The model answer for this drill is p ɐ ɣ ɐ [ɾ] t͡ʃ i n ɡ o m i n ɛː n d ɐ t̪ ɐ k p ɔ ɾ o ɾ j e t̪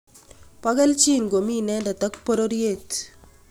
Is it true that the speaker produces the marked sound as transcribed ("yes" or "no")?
no